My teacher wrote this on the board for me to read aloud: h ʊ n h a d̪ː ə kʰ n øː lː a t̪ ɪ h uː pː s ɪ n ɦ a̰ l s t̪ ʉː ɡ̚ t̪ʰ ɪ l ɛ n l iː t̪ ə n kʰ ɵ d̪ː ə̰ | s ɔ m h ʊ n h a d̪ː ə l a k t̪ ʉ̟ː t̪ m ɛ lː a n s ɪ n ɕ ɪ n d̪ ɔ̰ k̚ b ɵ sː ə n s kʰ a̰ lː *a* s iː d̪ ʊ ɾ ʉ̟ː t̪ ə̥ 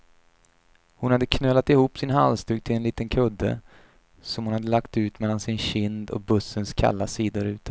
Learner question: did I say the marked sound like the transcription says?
yes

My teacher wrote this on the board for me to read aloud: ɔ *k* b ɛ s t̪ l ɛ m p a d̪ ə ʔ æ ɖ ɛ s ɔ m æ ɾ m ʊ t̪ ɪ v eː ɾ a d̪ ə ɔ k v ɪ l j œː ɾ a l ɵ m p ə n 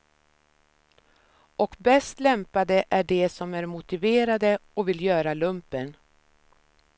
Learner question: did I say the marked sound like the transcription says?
yes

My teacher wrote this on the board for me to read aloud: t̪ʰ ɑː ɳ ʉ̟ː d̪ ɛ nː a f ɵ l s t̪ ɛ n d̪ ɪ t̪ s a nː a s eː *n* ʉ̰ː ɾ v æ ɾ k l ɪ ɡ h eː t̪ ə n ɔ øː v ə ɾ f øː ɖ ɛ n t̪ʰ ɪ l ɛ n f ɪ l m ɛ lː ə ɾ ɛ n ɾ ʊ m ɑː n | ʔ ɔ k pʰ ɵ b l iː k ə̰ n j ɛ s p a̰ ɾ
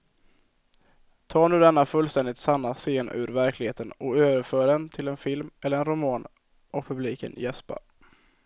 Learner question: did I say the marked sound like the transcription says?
yes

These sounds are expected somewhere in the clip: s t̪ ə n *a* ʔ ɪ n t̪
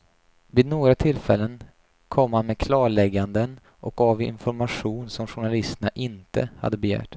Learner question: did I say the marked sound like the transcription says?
yes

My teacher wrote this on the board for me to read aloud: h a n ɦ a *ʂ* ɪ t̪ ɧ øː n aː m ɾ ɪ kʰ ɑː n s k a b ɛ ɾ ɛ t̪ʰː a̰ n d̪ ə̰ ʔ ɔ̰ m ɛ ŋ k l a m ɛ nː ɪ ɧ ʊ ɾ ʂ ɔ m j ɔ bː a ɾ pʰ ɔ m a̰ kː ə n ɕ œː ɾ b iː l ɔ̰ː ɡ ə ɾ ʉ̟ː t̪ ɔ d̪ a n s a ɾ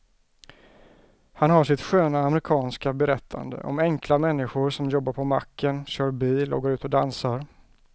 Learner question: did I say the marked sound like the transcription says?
yes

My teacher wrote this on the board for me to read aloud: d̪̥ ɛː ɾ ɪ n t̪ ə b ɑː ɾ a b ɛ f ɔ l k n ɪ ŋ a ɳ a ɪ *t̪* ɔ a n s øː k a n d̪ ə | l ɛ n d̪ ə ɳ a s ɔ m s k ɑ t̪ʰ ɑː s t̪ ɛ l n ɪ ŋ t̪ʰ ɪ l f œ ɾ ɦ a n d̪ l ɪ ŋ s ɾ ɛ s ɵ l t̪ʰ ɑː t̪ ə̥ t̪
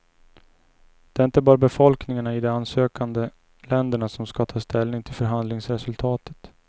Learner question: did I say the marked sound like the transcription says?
no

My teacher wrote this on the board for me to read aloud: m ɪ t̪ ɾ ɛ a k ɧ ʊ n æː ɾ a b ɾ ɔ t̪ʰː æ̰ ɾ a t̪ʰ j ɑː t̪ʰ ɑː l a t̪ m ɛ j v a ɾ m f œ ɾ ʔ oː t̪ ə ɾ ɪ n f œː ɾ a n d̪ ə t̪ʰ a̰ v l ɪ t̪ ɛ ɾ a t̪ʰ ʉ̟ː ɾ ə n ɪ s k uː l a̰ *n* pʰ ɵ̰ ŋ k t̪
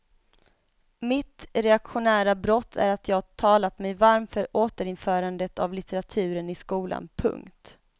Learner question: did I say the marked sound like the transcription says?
yes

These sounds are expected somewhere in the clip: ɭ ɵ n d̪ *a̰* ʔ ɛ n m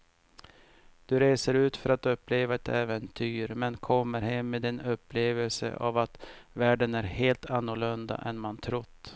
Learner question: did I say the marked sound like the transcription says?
yes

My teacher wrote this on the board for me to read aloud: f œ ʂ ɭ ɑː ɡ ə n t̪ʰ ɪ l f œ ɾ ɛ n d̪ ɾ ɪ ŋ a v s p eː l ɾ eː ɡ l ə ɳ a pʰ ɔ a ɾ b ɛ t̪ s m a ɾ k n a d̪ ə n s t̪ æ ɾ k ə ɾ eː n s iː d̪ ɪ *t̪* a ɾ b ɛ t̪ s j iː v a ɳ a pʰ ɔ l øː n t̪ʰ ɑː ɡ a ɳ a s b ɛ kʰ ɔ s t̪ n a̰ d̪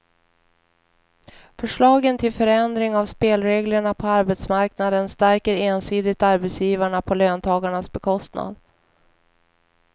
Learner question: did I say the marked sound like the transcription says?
yes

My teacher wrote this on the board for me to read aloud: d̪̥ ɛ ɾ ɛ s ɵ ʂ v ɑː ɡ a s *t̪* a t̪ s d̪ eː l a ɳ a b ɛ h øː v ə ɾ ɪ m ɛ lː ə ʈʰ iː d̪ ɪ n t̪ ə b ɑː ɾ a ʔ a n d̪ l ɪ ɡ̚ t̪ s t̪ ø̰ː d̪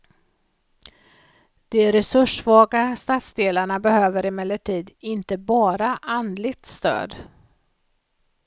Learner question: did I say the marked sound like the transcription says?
yes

